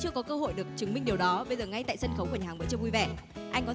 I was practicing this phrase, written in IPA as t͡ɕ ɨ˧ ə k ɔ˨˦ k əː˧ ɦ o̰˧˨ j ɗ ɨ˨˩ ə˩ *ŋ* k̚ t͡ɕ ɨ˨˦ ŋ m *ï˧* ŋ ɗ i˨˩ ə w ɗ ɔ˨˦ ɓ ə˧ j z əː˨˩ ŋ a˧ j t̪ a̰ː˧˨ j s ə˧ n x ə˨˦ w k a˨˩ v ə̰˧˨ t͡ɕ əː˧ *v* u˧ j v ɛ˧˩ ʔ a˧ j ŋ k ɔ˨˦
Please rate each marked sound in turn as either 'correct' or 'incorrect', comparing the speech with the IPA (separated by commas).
incorrect, correct, correct